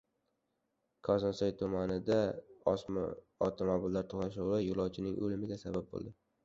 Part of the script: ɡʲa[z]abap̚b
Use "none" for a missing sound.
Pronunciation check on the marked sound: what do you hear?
s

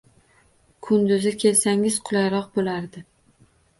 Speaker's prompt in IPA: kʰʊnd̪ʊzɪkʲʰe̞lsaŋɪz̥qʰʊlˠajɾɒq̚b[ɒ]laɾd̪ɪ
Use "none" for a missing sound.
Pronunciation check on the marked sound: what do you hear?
o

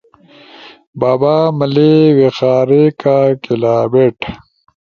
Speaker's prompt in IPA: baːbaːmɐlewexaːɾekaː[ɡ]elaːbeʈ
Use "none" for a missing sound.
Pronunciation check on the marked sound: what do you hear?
k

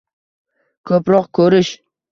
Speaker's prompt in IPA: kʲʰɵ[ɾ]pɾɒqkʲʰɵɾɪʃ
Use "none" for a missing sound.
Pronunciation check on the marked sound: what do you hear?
none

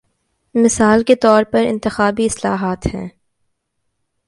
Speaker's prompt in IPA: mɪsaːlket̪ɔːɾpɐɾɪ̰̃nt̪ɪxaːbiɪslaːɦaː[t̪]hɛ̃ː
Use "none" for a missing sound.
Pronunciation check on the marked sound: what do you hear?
t̪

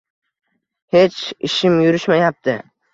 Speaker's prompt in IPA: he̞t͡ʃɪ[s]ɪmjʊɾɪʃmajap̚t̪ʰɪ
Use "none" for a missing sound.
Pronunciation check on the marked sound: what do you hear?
ʃ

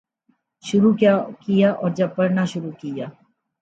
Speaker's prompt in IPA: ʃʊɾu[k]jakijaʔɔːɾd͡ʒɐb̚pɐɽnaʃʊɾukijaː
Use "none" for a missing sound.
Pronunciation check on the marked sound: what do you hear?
k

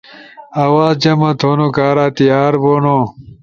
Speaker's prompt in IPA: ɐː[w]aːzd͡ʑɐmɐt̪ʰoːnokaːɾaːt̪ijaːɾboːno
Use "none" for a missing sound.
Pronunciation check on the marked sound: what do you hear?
w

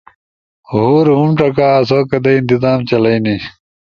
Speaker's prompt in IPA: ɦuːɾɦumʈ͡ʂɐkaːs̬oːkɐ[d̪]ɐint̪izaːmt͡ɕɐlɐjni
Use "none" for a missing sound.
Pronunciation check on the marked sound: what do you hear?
d̪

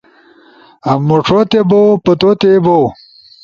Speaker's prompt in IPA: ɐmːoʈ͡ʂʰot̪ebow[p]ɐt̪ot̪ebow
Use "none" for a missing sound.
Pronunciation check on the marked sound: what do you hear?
p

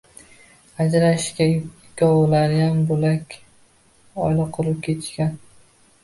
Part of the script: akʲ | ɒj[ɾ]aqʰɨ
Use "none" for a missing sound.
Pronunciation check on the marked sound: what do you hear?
l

